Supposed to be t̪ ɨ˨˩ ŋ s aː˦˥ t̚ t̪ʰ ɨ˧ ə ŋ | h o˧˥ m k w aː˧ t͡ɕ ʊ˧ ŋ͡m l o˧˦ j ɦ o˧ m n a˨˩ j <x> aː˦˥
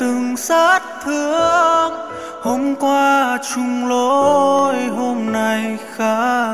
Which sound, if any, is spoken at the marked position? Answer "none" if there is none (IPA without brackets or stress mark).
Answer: x